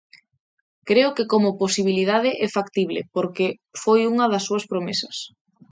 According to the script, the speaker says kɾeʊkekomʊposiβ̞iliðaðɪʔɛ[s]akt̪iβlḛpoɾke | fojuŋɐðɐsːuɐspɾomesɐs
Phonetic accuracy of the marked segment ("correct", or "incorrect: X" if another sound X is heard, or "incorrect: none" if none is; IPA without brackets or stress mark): incorrect: f